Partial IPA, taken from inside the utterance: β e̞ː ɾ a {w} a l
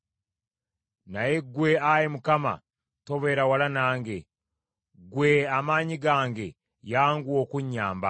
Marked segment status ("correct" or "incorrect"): correct